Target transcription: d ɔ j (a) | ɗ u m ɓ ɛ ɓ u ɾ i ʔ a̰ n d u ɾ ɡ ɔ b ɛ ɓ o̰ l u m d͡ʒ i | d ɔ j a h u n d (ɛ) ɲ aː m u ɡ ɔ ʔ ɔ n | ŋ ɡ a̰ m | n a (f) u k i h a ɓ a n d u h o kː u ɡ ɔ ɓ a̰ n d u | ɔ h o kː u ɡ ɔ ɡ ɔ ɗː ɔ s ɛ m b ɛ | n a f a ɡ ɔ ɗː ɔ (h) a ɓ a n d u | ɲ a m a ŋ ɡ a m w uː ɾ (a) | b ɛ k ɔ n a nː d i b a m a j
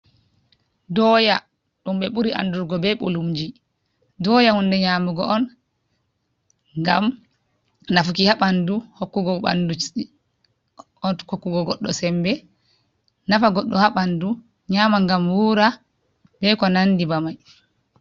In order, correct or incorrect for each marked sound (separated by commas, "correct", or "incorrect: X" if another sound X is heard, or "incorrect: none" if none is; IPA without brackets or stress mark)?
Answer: correct, correct, correct, correct, correct